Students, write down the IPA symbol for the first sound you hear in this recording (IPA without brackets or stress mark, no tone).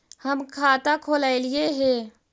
h